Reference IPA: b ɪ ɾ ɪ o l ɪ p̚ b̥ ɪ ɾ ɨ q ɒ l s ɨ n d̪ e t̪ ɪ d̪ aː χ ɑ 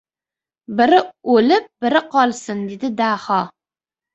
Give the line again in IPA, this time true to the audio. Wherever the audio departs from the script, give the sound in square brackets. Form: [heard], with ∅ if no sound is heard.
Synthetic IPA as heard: b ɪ ɾ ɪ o l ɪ p̚ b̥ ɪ ɾ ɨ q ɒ l s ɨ n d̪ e [d̪] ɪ d̪ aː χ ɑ